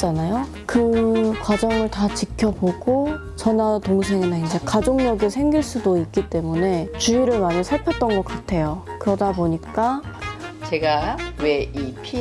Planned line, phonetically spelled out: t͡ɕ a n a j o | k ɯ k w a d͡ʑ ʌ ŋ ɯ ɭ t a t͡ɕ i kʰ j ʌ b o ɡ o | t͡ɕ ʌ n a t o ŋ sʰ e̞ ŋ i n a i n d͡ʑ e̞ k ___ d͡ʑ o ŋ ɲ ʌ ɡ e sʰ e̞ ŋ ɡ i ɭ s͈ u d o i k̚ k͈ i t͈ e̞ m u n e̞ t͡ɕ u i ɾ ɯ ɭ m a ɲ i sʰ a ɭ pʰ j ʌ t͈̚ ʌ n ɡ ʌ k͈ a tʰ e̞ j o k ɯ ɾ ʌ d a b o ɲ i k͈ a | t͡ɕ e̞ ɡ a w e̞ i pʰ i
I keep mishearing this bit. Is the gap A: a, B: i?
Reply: A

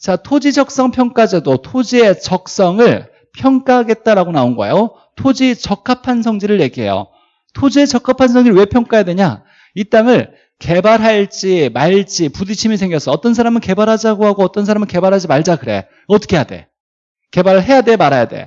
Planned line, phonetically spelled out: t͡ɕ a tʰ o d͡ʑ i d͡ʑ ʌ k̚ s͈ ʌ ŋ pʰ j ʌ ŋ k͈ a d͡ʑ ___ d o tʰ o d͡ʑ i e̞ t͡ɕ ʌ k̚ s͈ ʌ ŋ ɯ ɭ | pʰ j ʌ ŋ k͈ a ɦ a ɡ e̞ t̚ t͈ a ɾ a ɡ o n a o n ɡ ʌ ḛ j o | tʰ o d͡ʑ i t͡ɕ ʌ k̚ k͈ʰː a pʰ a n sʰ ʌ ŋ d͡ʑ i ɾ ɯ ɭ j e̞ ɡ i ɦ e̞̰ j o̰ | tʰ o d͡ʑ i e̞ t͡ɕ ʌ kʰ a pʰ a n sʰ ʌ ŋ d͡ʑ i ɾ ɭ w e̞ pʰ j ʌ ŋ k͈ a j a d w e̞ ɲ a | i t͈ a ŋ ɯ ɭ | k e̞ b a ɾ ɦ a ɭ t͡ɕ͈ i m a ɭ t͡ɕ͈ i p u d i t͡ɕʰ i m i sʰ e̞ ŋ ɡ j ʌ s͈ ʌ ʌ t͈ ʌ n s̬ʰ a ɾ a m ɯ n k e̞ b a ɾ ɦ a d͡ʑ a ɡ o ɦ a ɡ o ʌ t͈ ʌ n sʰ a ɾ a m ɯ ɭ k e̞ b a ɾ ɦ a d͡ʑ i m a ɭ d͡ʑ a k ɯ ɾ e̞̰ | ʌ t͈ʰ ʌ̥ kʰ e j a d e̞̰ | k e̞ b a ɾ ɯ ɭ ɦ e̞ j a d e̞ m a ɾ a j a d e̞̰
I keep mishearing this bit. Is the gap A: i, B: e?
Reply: B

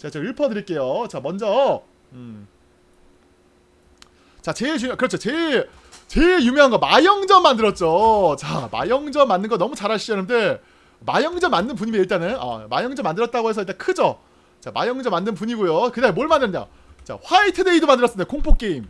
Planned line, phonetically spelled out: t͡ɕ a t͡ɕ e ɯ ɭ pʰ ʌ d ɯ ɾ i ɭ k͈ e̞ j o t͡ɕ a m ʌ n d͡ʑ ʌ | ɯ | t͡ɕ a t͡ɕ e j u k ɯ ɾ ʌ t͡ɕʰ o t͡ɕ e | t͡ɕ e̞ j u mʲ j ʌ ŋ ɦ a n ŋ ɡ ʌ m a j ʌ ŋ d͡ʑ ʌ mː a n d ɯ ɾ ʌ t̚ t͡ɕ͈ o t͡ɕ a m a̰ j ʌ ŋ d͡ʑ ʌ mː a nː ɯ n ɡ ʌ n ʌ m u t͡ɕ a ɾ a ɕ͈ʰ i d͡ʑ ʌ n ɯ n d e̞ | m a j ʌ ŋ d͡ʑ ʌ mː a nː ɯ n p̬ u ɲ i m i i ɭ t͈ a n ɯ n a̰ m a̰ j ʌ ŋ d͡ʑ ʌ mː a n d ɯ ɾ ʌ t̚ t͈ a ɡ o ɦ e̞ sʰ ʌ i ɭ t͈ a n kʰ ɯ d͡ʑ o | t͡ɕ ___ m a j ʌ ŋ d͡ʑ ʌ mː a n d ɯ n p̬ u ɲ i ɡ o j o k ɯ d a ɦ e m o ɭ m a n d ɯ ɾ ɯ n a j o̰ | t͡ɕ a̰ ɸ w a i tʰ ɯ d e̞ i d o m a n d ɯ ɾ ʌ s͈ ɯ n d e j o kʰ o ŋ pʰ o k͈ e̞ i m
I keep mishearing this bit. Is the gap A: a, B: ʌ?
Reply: A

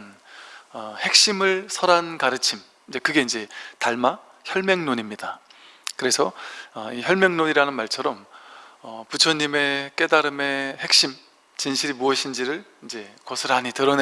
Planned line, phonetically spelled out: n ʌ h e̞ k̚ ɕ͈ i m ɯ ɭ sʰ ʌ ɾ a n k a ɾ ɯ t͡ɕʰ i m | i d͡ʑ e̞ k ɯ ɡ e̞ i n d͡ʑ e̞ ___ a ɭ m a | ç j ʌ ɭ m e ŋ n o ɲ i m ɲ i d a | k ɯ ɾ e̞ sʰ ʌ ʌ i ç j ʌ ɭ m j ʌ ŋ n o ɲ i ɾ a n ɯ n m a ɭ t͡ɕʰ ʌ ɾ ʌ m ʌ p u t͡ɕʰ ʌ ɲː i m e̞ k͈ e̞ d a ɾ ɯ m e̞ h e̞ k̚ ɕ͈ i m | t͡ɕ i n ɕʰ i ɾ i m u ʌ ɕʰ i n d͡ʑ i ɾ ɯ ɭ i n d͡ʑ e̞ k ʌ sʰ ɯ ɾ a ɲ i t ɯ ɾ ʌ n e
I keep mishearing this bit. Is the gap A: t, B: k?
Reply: A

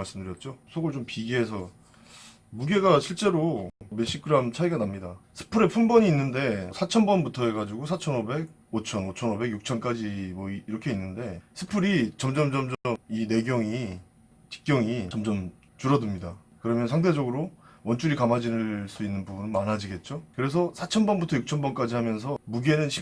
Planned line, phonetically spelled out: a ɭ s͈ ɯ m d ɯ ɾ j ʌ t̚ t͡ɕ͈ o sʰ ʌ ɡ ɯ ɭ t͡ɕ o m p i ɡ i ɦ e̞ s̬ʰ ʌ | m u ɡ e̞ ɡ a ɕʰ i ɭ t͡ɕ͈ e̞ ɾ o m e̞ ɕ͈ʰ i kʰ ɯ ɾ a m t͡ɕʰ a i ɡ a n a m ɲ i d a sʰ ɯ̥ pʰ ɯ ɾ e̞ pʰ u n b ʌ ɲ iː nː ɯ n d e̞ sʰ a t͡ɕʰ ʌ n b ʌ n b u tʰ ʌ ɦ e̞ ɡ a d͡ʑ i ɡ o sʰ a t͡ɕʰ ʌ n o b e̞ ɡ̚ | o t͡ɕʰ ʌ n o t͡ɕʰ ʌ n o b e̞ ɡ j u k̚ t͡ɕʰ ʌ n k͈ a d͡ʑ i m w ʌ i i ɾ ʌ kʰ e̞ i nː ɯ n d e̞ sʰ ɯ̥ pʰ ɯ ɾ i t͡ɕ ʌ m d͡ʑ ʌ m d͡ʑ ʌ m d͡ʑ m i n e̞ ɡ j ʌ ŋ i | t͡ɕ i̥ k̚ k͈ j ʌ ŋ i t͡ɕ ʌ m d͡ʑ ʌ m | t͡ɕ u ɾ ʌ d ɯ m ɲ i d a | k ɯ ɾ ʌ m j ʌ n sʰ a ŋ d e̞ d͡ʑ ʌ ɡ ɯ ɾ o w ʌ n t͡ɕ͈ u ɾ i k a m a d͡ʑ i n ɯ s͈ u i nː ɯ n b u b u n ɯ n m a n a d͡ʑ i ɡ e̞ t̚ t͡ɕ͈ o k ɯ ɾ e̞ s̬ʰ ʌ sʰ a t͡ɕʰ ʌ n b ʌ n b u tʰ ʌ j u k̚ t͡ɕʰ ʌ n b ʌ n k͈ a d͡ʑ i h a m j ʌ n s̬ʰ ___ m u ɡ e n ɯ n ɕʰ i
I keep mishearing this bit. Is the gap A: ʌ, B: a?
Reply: A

